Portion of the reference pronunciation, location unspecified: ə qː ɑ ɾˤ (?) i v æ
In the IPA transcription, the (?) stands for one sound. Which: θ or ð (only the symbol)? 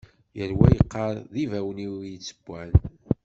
ð